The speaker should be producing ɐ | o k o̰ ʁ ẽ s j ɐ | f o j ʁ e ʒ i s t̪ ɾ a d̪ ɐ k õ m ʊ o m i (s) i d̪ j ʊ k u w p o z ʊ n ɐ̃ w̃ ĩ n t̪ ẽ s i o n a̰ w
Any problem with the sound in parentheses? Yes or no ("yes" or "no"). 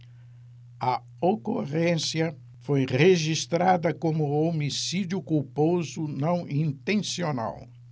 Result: no